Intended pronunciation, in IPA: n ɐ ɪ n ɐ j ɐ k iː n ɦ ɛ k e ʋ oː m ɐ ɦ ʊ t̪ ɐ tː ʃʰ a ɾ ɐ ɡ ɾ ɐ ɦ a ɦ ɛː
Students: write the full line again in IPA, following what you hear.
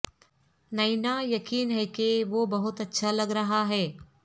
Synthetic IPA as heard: n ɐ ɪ n a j ɐ k iː n ɦ ɛ k e ʋ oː b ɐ ɦ ʊ t̪ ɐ tː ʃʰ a l ɐ ɡ ɾ ɐ ɦ a ɦ ɛː